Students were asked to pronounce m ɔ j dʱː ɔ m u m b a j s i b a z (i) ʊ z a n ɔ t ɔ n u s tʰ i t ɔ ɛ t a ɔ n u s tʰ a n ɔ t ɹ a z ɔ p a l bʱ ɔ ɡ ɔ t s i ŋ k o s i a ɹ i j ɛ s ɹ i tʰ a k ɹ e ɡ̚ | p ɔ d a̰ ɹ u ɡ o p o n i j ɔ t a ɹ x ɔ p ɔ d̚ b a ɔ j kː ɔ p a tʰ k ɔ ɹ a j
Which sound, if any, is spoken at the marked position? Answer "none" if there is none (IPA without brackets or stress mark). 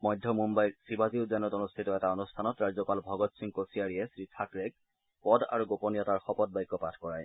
i